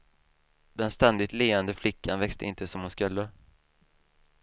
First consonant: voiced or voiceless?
voiced